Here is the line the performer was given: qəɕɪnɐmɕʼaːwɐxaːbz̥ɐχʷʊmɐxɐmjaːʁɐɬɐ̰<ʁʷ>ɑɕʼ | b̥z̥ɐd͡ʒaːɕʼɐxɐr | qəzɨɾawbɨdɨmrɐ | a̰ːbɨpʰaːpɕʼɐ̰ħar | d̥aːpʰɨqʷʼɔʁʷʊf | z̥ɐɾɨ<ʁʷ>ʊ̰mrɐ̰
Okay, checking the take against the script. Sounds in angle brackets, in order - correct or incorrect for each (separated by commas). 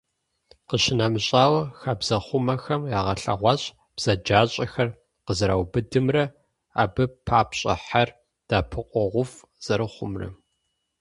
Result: correct, incorrect